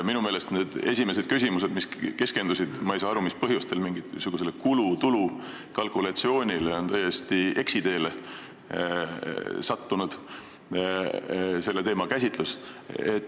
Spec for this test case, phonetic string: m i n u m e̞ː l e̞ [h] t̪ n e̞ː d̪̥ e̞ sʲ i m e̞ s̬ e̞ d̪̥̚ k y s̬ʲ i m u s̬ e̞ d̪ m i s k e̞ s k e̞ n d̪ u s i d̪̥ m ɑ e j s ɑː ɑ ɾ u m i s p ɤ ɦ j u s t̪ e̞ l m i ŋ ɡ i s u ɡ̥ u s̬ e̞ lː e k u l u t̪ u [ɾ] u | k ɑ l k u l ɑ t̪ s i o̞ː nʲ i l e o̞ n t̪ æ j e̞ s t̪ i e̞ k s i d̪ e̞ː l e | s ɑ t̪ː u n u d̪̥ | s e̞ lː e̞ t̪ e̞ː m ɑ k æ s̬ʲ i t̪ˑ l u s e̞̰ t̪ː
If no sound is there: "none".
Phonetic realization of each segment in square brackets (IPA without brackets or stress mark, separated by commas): s, l